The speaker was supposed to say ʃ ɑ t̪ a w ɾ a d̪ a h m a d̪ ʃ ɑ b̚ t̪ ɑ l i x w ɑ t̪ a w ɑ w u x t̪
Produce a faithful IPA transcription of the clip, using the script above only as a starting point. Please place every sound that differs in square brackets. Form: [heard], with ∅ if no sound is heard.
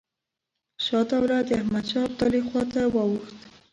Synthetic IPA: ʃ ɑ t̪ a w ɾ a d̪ a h m a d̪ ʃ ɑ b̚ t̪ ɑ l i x w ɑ t̪ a w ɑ w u x t̪